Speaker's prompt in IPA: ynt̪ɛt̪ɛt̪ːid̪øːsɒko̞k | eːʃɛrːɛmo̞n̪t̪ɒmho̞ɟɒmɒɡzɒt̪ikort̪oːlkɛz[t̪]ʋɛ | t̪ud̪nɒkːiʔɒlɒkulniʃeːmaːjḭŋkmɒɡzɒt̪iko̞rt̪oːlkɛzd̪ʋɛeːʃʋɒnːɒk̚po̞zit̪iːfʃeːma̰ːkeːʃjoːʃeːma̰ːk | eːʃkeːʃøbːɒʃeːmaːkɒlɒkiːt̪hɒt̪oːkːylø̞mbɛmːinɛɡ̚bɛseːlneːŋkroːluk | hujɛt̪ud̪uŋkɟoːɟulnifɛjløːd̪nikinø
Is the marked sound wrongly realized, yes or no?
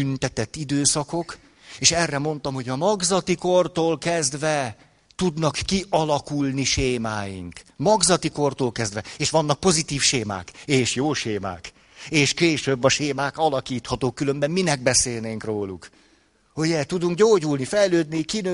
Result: yes